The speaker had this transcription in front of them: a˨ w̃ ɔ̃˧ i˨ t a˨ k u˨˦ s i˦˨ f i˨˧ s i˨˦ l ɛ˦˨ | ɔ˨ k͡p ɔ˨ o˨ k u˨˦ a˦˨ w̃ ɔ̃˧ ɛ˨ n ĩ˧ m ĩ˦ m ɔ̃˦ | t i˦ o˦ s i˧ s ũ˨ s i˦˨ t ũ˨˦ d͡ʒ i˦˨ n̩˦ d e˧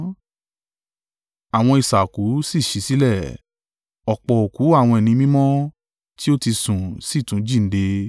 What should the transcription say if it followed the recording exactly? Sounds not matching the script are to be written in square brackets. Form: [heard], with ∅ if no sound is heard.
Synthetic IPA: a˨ w̃ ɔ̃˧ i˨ [s] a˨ k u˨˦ s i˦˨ [ʃ] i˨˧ s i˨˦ l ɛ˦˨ | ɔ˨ k͡p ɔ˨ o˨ k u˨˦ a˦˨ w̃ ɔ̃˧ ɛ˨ n ĩ˧ m ĩ˦ m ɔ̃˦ | t i˦ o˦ [t] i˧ s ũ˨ s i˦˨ t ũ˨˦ d͡ʒ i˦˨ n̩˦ d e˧

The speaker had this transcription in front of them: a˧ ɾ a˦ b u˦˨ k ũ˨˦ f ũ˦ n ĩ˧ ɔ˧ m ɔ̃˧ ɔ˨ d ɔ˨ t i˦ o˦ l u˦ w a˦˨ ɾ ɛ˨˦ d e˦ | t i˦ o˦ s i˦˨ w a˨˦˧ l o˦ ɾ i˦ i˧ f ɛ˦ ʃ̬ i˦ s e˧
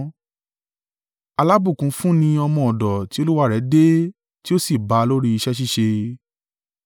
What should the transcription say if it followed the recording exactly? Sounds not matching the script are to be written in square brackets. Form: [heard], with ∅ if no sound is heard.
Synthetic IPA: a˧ [l] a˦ b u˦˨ k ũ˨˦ f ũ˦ n ĩ˧ ɔ˧ m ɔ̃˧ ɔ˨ d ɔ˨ t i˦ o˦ l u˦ w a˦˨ ɾ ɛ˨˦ d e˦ | t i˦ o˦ s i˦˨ [b] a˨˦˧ l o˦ ɾ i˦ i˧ [ʃ] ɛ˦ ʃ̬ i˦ [ʃ] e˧

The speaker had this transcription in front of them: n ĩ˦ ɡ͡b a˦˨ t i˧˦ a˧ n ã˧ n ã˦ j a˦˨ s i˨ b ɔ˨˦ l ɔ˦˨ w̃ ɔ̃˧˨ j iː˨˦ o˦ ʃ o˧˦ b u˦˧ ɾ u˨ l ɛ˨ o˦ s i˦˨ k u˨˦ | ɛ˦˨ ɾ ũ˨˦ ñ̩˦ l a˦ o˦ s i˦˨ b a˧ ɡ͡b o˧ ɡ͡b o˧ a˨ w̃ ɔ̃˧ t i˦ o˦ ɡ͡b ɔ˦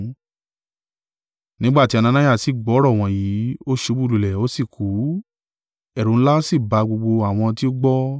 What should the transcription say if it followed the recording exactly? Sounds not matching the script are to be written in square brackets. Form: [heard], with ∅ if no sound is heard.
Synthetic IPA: n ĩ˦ ɡ͡b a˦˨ t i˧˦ a˧ n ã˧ n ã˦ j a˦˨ s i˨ [ɡ͡b] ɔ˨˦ [ɾ] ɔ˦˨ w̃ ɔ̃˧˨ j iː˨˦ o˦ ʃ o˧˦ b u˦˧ [l] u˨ l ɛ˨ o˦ s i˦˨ k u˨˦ | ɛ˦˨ ɾ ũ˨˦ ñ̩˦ l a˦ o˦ s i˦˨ b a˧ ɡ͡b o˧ ɡ͡b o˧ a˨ w̃ ɔ̃˧ t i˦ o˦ ɡ͡b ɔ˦

